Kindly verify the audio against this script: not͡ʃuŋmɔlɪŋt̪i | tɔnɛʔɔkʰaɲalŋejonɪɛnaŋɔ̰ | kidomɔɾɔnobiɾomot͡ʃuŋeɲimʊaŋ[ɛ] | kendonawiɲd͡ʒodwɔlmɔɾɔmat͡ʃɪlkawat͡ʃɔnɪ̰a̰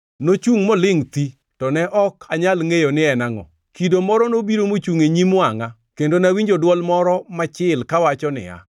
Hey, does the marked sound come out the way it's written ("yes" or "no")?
no